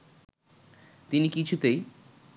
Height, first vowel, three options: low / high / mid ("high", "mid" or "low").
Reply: high